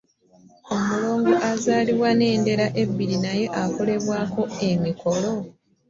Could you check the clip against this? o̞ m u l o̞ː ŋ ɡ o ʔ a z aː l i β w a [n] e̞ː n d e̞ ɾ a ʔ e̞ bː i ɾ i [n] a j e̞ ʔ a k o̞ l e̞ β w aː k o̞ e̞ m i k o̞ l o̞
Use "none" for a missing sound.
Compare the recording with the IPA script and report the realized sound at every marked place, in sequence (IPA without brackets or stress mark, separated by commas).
n, n